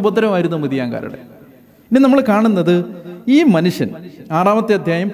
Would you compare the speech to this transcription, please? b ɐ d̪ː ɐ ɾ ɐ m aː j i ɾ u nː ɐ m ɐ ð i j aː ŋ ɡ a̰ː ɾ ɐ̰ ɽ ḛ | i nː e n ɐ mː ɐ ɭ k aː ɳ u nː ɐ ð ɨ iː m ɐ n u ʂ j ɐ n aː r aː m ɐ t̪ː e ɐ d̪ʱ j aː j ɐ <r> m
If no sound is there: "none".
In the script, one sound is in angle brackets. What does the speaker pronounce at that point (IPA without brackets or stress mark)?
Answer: none